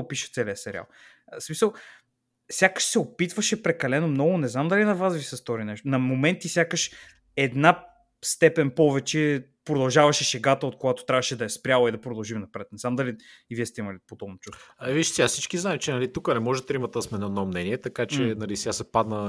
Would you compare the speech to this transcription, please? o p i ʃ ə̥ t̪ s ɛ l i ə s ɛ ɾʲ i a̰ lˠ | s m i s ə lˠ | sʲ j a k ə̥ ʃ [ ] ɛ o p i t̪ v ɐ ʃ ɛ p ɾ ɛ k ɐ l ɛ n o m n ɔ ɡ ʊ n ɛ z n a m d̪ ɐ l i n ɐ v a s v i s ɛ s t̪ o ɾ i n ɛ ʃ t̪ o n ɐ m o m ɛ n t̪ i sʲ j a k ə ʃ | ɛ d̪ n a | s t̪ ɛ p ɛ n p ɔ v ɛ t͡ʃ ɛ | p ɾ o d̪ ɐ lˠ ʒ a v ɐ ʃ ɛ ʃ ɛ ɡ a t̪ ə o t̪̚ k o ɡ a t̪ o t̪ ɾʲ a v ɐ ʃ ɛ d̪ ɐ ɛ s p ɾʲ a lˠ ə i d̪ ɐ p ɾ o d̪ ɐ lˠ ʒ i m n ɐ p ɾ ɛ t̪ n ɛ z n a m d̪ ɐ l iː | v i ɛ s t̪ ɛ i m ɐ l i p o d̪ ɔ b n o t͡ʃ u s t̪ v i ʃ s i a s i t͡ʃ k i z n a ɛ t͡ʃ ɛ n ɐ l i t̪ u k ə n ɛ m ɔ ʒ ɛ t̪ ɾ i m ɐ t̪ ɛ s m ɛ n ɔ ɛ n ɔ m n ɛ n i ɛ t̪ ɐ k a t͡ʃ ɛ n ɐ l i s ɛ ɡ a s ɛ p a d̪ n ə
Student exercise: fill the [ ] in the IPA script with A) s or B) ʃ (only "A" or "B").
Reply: A